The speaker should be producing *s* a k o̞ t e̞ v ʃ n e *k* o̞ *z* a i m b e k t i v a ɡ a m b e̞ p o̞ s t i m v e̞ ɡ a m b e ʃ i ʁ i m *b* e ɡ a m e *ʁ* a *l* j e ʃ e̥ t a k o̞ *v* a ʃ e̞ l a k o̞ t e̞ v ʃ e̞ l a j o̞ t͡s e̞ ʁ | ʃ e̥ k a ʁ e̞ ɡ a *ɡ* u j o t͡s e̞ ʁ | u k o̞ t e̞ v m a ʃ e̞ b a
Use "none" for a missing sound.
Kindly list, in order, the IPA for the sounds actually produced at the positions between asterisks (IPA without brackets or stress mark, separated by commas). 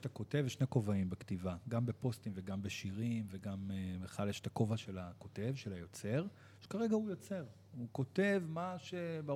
t, k, v, v, χ, l, v, none